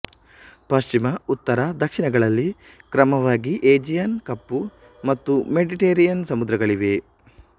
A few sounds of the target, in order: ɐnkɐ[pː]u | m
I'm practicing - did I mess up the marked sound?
no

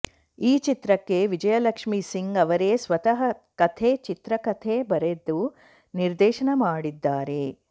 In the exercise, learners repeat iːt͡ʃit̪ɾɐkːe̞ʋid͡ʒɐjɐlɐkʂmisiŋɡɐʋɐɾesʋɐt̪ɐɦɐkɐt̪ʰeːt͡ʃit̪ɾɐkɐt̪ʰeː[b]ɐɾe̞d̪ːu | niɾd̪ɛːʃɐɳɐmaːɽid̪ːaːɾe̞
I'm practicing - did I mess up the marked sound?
no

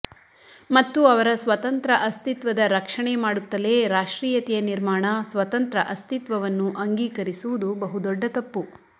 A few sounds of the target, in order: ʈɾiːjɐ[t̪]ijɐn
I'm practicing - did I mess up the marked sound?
no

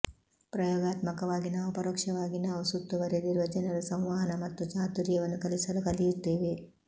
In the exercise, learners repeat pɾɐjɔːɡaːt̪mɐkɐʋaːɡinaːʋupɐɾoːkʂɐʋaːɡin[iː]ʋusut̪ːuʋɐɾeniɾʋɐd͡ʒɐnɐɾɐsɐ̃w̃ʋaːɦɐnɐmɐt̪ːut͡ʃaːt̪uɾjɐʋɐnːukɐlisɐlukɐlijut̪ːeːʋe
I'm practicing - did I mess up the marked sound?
yes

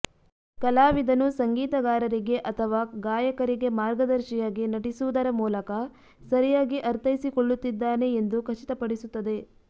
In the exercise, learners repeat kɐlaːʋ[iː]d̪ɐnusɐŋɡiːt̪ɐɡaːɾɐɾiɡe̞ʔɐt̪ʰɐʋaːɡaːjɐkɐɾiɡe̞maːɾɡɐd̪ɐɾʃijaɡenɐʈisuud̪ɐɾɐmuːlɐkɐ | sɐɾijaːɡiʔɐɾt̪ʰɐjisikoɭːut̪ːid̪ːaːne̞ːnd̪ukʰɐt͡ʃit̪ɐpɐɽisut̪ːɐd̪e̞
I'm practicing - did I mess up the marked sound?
yes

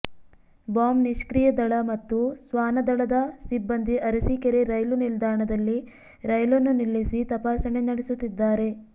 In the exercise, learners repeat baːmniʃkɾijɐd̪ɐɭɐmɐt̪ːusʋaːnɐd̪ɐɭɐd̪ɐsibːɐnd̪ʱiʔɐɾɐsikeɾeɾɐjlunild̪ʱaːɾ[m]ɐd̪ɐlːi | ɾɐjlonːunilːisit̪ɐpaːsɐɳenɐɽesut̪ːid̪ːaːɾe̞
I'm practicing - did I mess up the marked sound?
yes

